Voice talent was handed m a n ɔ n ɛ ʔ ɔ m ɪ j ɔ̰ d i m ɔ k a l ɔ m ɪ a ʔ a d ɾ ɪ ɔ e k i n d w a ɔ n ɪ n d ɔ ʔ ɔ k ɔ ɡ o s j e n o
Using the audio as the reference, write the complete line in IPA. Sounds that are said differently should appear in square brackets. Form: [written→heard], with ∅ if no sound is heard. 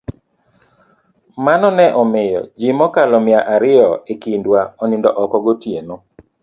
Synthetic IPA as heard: m a n ɔ n ɛ ʔ ɔ m ɪ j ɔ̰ [d→d͡ʒ] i m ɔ k a l ɔ m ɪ a ʔ a [d→∅] ɾ ɪ ɔ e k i n d w a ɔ n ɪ n d ɔ ʔ ɔ k ɔ ɡ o [s→t] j e n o